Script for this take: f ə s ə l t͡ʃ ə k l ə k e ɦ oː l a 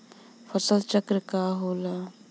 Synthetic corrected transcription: f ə s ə l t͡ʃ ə k ɾ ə k a ɦ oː l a